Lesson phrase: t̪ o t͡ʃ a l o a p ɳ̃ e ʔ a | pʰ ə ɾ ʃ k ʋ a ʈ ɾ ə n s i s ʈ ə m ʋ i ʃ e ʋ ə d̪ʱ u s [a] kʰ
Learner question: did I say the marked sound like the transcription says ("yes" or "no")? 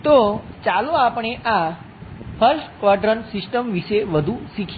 no